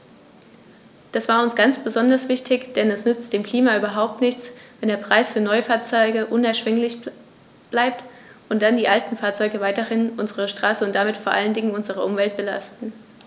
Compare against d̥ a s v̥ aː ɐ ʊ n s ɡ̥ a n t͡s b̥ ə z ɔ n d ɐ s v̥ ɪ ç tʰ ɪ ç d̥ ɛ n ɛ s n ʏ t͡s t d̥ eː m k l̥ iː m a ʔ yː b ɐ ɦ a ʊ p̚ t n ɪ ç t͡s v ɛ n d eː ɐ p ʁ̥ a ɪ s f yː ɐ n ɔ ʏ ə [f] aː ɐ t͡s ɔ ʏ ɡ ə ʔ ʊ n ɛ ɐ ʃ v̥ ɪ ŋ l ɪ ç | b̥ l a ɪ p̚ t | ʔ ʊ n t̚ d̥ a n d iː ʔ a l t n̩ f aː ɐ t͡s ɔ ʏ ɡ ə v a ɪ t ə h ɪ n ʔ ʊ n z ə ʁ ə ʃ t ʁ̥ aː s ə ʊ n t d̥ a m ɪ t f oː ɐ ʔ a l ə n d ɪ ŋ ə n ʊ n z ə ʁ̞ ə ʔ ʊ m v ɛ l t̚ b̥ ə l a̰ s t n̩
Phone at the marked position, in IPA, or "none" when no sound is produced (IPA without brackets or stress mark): f